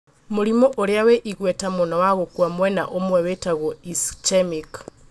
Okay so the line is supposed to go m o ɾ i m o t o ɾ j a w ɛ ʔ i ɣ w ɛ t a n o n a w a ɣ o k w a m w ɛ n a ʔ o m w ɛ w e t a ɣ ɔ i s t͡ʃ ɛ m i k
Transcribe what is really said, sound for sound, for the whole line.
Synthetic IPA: m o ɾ i m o ʔ o ɾ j a w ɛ ʔ i ɣ w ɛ t a m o n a w a ɣ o k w a m w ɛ n a ʔ o m w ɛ w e t a ɣ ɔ i s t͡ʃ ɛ m i k